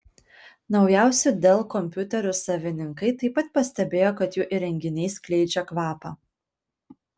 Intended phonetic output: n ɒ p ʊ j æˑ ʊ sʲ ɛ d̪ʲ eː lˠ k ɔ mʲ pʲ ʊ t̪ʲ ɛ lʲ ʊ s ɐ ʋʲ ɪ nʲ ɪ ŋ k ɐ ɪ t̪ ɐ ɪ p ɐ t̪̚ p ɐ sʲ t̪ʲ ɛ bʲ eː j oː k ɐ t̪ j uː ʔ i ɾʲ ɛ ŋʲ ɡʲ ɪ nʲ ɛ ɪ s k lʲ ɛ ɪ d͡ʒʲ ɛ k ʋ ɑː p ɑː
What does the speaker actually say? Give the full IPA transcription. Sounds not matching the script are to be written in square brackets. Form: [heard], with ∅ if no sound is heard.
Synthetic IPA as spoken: n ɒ [∅] ʊ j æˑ ʊ sʲ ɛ d̪ʲ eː lˠ k ɔ mʲ pʲ ʊ t̪ʲ ɛ [ɾʲ] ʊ s ɐ ʋʲ ɪ nʲ ɪ ŋ k ɐ ɪ t̪ ɐ ɪ p ɐ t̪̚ p ɐ sʲ t̪ʲ ɛ bʲ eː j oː k ɐ t̪ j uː ʔ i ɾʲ ɛ ŋʲ ɡʲ ɪ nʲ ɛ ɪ s k lʲ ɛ ɪ d͡ʒʲ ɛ k ʋ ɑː p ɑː